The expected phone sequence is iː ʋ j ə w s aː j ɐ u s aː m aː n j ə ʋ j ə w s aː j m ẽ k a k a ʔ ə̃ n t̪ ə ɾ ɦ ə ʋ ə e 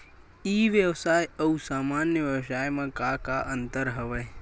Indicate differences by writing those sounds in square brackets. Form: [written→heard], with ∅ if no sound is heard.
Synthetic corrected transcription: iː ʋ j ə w s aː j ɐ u s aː m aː n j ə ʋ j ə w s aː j m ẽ k a k a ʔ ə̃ n t̪ ə ɾ ɦ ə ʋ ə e